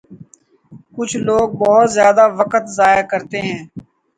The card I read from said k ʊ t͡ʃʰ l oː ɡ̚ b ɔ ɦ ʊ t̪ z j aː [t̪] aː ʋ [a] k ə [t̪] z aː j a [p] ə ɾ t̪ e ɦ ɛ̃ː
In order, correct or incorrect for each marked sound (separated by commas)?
incorrect, incorrect, correct, incorrect